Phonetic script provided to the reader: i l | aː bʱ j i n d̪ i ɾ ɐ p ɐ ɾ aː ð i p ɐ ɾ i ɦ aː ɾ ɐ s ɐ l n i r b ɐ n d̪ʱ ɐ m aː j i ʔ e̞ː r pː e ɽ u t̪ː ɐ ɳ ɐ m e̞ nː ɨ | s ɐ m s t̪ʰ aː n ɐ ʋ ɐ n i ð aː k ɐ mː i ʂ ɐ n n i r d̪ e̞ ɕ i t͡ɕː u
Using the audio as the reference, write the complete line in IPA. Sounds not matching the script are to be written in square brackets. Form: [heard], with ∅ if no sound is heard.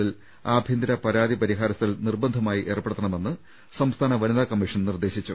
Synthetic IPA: i l | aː bʱ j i n d̪ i ɾ ɐ p ɐ ɾ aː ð i p ɐ ɾ i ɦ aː ɾ ɐ s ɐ l n i r b ɐ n d̪ʱ ɐ m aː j i ʔ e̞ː r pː e ɽ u t̪ː ɐ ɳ ɐ m e̞ nː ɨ | s ɐ m s t̪ʰ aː n ɐ ʋ ɐ n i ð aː k ɐ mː i ʂ ɐ n n i r d̪ e̞ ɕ i t͡ɕː u